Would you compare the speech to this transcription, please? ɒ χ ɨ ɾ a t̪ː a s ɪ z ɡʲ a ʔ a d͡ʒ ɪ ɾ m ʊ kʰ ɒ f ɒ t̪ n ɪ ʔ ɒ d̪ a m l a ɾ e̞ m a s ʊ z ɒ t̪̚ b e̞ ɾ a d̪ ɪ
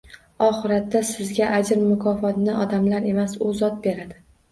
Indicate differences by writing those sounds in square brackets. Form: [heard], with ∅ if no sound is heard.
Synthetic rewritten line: ɒ χ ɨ ɾ a t̪ː a s ɪ z ɡʲ a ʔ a d͡ʒ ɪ ɾ m ʊ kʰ ɒ f ɒ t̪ n ɪ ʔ ɒ d̪ a m l a ɾ e̞ m a s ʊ z ɒ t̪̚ b e̞ ɾ a d̪ ɪ